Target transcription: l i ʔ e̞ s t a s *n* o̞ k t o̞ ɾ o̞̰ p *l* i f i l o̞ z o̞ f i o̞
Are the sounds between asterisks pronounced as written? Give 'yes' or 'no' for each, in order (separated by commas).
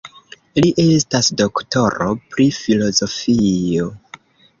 no, no